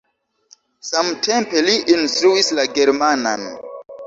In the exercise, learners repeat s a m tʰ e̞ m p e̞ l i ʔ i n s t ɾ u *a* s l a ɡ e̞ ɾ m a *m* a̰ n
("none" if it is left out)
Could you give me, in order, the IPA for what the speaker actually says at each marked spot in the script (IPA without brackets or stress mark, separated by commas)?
i, n